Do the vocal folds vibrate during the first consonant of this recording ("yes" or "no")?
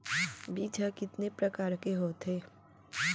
yes